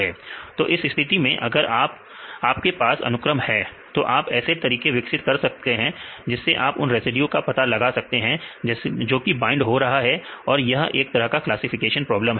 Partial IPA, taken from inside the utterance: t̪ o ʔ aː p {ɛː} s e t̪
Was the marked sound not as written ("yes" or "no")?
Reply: no